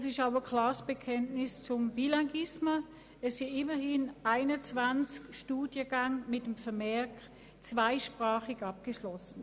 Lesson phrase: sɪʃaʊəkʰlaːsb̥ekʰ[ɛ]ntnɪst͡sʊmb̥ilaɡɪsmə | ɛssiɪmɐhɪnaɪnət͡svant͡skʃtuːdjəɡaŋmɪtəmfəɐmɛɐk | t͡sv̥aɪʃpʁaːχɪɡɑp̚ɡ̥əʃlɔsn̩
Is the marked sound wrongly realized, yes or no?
no